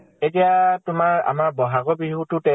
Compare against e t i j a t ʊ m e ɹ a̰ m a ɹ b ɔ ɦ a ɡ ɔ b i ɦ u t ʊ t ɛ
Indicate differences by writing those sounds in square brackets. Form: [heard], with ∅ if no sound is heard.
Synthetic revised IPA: e t i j a t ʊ m [a] ɹ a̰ m a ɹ b ɔ ɦ a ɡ ɔ b i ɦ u t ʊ t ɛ